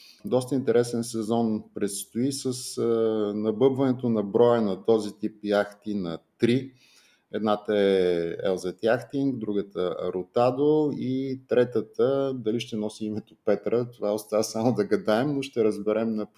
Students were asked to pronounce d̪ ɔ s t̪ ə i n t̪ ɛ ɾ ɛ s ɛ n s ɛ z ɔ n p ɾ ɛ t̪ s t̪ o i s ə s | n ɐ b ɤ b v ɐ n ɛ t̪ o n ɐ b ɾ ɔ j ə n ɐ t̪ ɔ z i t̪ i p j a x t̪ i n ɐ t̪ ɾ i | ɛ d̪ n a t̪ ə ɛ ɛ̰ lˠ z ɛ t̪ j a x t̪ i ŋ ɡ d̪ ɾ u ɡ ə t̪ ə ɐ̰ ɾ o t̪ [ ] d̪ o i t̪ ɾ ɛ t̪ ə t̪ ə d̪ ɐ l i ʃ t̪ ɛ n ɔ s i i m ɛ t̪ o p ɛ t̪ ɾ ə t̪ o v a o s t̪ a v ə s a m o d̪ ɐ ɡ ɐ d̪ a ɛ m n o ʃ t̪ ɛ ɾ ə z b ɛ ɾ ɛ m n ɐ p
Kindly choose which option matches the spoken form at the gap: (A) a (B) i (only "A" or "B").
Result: A